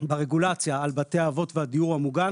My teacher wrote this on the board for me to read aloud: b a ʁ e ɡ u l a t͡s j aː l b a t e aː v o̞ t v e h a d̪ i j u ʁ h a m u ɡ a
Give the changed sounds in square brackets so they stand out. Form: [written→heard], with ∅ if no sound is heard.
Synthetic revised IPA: b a ʁ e ɡ u l a t͡s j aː l b a t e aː v o̞ t v e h a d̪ i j u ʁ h a m u ɡ a